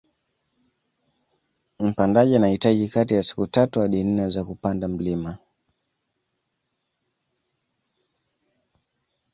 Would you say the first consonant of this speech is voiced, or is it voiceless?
voiced